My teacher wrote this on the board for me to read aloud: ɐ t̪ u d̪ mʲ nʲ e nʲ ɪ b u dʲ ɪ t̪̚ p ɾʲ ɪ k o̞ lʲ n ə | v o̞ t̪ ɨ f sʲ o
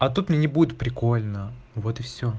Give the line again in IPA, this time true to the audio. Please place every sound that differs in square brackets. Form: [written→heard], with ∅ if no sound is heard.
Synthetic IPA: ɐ t̪ u [d̪→t̪] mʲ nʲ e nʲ ɪ b u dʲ ɪ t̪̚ p ɾʲ ɪ k o̞ lʲ n ə | v o̞ t̪ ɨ f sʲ o